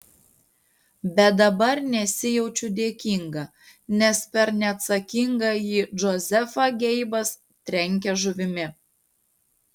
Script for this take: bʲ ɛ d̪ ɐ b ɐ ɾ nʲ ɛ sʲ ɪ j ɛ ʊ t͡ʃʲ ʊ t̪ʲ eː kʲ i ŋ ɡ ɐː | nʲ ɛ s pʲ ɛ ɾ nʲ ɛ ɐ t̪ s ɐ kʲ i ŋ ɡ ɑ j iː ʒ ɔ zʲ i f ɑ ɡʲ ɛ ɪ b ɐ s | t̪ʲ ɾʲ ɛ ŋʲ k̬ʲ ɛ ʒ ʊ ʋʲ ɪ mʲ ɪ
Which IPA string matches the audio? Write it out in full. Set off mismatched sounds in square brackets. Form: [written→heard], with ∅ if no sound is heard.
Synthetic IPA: bʲ ɛ d̪ ɐ b ɐ ɾ nʲ ɛ sʲ ɪ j ɛ ʊ t͡ʃʲ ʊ [t̪ʲ→d̪ʲ] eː kʲ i ŋ ɡ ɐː | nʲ ɛ s pʲ ɛ ɾ nʲ ɛ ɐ t̪ s ɐ kʲ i ŋ ɡ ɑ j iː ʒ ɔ zʲ [i→ɛ] f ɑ ɡʲ ɛ ɪ b ɐ s | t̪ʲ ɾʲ ɛ ŋʲ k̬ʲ ɛ ʒ ʊ ʋʲ ɪ mʲ ɪ

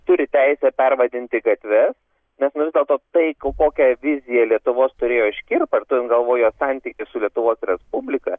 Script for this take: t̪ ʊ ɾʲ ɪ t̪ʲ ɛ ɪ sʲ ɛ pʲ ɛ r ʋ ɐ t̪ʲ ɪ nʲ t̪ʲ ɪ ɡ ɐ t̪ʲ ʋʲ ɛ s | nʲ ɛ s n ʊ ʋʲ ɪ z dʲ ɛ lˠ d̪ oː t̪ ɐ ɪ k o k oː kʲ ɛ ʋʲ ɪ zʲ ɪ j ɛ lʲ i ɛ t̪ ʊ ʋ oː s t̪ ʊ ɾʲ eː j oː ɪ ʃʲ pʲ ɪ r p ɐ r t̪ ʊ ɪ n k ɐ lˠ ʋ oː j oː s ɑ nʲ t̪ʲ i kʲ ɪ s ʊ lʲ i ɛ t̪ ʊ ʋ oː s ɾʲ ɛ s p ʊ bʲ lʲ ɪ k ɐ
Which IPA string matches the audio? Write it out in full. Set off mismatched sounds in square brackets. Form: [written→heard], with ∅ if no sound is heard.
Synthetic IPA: t̪ ʊ ɾʲ ɪ t̪ʲ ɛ ɪ sʲ ɛ pʲ ɛ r ʋ ɐ [t̪ʲ→d̪ʲ] ɪ nʲ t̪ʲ ɪ ɡ ɐ t̪ʲ ʋʲ ɛ s | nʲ ɛ s n ʊ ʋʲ ɪ z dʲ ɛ lˠ [d̪→t̪] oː t̪ ɐ ɪ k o k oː kʲ ɛ ʋʲ ɪ zʲ ɪ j ɛ lʲ i ɛ t̪ ʊ ʋ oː s t̪ ʊ ɾʲ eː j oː ɪ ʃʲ [pʲ→kʲ] ɪ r p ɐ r t̪ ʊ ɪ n [k→ɡ] ɐ lˠ ʋ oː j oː s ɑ nʲ t̪ʲ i kʲ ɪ s ʊ lʲ i ɛ t̪ ʊ ʋ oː s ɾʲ ɛ s p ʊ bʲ lʲ ɪ k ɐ

